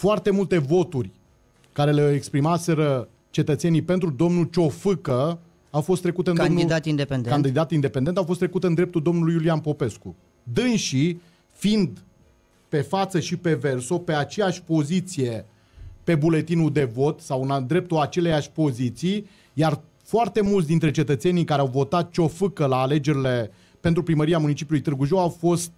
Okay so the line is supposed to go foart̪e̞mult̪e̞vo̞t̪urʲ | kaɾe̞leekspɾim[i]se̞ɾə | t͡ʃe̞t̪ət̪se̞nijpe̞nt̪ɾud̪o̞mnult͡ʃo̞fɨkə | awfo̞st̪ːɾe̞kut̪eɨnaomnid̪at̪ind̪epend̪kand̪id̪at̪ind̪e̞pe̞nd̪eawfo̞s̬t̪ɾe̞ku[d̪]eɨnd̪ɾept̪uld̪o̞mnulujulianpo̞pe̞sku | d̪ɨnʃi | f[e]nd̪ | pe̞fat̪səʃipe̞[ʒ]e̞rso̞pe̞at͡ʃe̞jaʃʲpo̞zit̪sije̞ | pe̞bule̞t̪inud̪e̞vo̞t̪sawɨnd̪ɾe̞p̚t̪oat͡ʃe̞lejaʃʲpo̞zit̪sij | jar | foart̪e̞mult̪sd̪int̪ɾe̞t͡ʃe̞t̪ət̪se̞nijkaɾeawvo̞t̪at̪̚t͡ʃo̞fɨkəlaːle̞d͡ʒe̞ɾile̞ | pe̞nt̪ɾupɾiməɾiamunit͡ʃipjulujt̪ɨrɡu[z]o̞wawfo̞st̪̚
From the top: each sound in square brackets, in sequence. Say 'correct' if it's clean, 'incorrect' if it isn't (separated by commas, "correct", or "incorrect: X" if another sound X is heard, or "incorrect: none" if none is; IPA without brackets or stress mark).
incorrect: a, incorrect: t̪, incorrect: i, incorrect: v, incorrect: ʒ